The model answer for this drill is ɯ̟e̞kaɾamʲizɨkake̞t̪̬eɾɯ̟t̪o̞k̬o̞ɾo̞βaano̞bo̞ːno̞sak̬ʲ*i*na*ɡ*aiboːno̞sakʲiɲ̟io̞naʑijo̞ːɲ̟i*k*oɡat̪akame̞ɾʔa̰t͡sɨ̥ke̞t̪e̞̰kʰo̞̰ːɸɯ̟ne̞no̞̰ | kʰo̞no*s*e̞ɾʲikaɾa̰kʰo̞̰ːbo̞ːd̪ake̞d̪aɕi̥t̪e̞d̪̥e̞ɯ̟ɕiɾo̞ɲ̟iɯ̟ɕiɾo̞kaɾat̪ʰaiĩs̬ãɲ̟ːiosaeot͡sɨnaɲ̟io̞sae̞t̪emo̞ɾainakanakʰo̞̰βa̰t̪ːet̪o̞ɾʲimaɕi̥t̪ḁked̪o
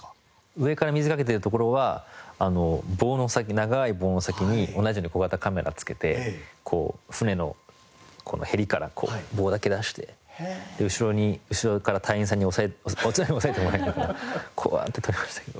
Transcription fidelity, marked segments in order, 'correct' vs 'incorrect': correct, correct, correct, incorrect

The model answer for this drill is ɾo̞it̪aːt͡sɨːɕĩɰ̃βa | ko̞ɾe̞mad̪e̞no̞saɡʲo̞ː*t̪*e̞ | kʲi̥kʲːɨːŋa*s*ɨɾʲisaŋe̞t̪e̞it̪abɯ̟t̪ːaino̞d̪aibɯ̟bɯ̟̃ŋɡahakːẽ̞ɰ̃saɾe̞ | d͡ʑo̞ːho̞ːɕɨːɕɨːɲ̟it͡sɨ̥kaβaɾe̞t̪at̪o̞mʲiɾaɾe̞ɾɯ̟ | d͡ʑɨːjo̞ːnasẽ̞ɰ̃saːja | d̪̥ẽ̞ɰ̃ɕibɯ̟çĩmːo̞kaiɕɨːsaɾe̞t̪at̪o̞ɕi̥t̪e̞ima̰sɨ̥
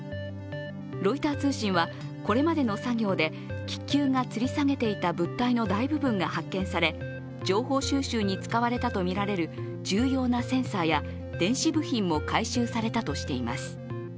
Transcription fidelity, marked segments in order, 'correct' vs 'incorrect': incorrect, incorrect

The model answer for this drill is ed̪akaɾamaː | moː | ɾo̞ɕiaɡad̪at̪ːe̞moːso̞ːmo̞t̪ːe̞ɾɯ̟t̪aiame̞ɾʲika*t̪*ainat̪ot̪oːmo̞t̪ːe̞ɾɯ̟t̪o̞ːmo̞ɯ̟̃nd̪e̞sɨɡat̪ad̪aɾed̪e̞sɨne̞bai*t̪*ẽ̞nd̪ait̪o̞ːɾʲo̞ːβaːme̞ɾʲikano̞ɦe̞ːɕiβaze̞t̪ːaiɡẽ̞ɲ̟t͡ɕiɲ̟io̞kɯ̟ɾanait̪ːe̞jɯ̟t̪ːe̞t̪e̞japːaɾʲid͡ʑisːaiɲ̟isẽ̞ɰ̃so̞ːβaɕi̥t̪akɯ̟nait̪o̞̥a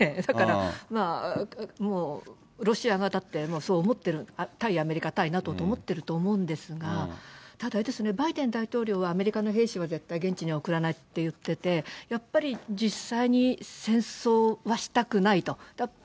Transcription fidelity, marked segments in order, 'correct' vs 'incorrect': correct, incorrect

